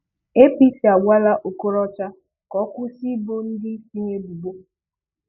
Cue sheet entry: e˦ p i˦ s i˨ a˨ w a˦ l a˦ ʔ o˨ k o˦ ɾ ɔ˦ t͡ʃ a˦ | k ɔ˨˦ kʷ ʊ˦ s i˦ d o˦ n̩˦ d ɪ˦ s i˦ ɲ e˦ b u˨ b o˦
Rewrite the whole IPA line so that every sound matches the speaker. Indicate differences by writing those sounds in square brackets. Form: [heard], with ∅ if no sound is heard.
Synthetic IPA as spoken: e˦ p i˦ s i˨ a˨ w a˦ l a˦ ʔ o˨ k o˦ ɾ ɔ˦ t͡ʃ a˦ | k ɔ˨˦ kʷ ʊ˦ s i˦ [b] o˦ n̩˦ d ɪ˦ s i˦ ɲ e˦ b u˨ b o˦